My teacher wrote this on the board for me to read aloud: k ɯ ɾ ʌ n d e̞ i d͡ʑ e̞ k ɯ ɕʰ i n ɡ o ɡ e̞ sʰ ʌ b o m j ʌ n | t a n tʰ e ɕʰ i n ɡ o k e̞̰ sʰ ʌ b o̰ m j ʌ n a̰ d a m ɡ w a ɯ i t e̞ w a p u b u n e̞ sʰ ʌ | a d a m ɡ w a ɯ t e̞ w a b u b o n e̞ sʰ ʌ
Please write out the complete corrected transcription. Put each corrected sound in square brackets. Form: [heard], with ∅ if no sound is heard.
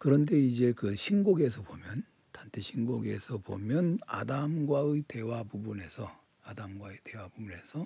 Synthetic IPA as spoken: k ɯ ɾ ʌ n d e̞ i d͡ʑ e̞ k ɯ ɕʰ i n ɡ o ɡ e̞ sʰ ʌ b o m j ʌ n | t a n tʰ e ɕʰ i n ɡ o [ɡ] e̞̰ sʰ ʌ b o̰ m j ʌ n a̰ d a m ɡ w a ɯ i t e̞ w a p u b u n e̞ sʰ ʌ | a d a m ɡ w a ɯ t e̞ w a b u b [u] n e̞ sʰ ʌ